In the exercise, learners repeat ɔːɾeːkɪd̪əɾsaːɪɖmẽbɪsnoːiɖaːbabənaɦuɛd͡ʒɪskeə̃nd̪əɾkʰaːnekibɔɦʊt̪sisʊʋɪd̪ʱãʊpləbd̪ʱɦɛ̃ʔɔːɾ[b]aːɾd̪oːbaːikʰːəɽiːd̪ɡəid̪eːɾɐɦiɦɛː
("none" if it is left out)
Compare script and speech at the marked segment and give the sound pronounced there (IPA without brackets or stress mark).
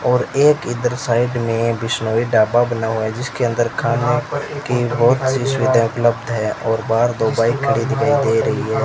b